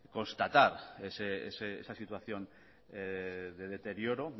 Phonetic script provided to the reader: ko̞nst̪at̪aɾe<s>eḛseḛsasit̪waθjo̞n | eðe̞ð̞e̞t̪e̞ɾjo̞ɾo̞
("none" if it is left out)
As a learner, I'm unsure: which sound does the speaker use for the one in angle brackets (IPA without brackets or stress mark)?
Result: s